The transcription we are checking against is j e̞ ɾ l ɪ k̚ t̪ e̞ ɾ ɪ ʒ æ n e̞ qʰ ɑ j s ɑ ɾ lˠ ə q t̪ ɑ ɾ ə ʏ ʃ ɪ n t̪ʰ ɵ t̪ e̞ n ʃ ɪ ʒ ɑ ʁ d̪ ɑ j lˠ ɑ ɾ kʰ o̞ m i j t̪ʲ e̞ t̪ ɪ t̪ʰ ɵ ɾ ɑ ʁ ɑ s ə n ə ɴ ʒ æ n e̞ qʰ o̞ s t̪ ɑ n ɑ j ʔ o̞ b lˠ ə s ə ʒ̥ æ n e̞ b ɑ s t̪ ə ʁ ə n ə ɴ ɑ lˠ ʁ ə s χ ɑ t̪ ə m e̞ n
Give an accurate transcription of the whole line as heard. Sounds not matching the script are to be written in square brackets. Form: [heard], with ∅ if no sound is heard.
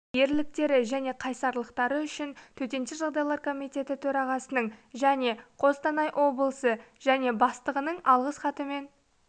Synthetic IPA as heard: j e̞ ɾ l ɪ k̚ t̪ e̞ ɾ ɪ ʒ æ n e̞ qʰ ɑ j s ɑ ɾ lˠ ə q t̪ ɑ ɾ ə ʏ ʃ ɪ n t̪ʰ ɵ t̪ e̞ n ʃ ɪ ʒ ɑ ʁ d̪ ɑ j lˠ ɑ ɾ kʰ o̞ m i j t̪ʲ e̞ t̪ ɪ t̪ʰ ɵ ɾ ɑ ʁ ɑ s ə n ə ɴ ʒ æ n e̞ qʰ o̞ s t̪ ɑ n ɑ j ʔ o̞ b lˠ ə s ə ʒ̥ æ n e̞ b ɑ s t̪ ə ʁ ə n ə ɴ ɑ lˠ ʁ ə s χ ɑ t̪ ə m e̞ n